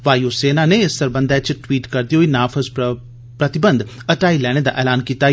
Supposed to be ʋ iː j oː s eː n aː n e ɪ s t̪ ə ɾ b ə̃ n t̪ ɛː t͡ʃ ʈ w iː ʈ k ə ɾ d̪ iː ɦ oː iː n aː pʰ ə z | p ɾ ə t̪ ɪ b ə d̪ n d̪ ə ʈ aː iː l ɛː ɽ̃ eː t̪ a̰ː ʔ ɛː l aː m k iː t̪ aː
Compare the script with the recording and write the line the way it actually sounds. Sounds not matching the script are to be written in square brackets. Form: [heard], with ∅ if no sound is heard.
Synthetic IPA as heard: ʋ [aː] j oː s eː n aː n e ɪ s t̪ ə ɾ b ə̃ n [d̪] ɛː t͡ʃ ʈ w iː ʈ k ə ɾ d̪ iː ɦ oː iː n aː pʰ ə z | p ɾ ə t̪ ɪ b ə [∅] n d̪ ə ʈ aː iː l ɛː ɽ̃ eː [d̪] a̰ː ʔ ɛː l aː [n] k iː t̪ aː

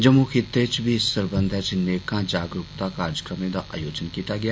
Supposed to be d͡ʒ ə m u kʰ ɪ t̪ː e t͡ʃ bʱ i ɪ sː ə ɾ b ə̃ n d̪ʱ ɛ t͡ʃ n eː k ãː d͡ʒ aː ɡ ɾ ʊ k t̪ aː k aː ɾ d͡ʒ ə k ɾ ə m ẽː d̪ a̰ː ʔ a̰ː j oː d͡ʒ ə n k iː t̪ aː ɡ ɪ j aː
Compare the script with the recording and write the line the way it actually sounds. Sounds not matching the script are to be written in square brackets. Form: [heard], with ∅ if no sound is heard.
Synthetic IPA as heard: d͡ʒ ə m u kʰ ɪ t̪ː e t͡ʃ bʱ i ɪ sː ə ɾ b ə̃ n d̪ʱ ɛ t͡ʃ n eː k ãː d͡ʒ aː ɡ ɾ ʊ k t̪ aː k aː ɾ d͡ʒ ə k ɾ ə m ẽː d̪ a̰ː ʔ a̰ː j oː d͡ʒ ə n k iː t̪ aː ɡ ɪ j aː

